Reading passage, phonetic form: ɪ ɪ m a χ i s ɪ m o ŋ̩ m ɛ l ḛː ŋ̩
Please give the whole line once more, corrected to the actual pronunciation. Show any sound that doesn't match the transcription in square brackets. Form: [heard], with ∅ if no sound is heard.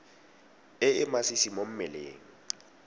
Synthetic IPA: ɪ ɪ m a [s] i s [i] m o [m̩] m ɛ l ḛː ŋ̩